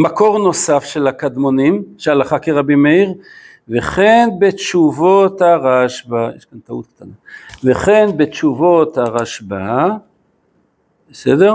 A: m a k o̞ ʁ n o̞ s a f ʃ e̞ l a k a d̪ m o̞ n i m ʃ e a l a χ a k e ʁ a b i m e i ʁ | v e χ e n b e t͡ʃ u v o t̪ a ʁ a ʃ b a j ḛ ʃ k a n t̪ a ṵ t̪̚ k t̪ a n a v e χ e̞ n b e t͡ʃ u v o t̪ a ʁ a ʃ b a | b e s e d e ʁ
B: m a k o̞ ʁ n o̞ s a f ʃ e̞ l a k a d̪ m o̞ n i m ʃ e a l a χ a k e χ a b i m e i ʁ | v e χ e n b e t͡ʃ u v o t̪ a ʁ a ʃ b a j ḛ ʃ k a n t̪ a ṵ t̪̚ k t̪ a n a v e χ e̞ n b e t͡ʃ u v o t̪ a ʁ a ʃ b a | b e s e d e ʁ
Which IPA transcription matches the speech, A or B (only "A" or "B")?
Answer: A